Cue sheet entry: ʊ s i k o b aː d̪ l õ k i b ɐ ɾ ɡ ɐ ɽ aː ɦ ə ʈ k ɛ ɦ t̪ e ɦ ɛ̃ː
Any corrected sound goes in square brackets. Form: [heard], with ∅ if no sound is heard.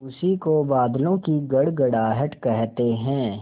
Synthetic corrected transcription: ʊ s i k o b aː d̪ l õ k i [ɡ] ɐ [ɽ] ɡ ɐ ɽ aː ɦ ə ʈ k ɛ ɦ t̪ e ɦ ɛ̃ː